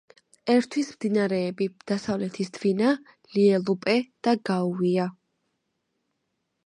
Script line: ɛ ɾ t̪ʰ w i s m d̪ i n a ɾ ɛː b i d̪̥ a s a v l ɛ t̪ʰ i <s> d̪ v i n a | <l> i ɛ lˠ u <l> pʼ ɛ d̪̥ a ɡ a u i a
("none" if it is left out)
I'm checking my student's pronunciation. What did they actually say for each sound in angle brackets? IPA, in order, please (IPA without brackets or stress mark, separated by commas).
s, l, none